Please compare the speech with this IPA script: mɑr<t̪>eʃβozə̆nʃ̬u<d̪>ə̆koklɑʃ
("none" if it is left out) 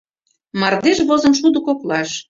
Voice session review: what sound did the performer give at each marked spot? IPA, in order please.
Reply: d̪, d̪

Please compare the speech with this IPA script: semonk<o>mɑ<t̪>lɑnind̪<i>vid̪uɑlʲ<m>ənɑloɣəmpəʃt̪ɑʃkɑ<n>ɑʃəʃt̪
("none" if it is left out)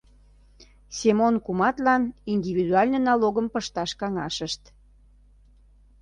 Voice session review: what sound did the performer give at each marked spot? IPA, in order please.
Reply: u, t̪, i, n, ŋ

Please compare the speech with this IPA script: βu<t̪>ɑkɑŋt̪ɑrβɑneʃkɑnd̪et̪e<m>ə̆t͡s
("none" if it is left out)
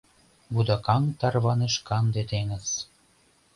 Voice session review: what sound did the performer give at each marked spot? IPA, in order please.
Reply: d̪, ŋ

